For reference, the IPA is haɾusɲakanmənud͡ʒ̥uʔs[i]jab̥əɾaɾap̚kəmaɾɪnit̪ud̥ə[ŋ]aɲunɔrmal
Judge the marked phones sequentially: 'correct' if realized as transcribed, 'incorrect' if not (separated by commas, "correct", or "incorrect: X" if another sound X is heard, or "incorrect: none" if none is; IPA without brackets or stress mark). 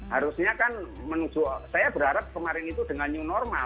incorrect: a, correct